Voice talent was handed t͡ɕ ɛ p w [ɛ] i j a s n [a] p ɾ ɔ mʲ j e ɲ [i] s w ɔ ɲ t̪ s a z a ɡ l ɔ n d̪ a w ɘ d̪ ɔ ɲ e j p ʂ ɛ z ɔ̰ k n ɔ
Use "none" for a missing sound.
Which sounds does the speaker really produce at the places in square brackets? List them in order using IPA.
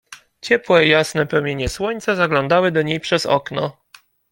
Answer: ɛ, ɛ, ɛ

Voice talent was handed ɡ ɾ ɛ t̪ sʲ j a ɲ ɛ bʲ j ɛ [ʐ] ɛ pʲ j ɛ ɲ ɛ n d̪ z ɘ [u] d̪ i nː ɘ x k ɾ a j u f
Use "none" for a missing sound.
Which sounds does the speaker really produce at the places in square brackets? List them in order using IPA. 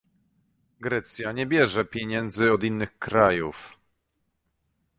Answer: ʐ, ɔ

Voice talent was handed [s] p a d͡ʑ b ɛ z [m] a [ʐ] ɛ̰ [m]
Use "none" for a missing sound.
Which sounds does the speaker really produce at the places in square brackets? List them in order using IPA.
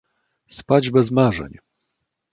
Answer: s, m, ʐ, ɲ

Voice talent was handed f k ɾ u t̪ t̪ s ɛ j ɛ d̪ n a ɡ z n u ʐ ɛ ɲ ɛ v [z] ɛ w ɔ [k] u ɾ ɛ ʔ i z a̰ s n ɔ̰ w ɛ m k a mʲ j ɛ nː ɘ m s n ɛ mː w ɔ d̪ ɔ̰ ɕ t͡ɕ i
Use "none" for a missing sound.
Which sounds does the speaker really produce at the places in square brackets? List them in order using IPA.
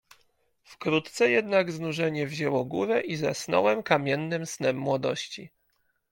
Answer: ʑ, ɡ

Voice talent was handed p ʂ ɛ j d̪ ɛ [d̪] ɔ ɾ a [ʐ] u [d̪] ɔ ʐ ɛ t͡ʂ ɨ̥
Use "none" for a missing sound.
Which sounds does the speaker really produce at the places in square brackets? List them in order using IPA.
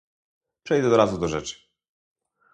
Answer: d̪, z, d̪

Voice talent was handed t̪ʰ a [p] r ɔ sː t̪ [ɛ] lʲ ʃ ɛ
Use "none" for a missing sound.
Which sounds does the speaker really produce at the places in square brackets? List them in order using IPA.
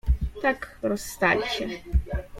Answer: k, a

